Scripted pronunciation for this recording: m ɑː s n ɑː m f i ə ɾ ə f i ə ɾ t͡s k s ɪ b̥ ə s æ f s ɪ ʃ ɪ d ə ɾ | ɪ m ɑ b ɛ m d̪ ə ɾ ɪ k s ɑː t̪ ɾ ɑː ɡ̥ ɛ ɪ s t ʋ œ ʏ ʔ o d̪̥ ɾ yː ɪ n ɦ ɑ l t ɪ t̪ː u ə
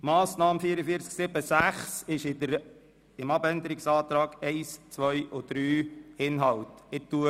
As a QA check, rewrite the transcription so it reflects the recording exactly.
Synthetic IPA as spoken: m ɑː s n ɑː m f i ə ɾ ə f i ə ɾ t͡s k s ɪ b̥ ə s æ χ s ɪ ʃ ɪ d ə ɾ | ɪ m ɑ b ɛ n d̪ ə ɾ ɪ k s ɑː t̪ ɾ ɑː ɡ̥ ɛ ɪ s t͡s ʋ œ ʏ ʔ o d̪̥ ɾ yː ɪ n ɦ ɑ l t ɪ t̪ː u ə